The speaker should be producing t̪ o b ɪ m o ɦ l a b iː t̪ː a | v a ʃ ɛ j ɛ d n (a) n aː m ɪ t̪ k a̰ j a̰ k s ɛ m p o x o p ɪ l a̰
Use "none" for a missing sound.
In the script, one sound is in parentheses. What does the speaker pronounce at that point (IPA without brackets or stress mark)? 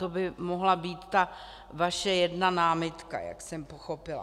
a